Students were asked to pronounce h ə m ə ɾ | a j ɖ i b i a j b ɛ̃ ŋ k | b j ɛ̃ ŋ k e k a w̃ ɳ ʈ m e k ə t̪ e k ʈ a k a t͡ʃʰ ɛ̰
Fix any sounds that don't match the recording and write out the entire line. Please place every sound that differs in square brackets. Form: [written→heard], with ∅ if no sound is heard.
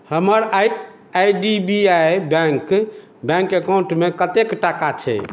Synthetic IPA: h ə m ə ɾ | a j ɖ i b i a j b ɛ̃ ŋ k | b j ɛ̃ ŋ k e k a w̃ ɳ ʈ m e k ə t̪ e k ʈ a k a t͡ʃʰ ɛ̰